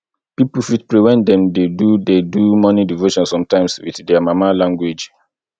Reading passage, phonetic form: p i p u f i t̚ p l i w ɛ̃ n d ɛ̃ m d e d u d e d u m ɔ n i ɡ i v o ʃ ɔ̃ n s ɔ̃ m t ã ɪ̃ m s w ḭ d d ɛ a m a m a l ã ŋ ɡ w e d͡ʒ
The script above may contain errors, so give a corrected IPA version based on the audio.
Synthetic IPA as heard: p i p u f i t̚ p ɹ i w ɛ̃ n d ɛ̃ m d e d u d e d u m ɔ n i d i v o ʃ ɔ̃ n s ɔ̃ m t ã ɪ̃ m s w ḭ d d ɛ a m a m a l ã ŋ ɡ w e d͡ʒ